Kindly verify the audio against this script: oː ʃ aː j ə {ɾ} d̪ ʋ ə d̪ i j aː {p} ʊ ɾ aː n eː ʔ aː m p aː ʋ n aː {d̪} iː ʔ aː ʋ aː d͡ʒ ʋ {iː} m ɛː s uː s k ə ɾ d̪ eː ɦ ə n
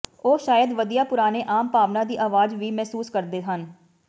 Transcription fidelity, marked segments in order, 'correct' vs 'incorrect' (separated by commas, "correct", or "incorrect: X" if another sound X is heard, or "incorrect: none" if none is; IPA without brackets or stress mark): incorrect: none, correct, correct, correct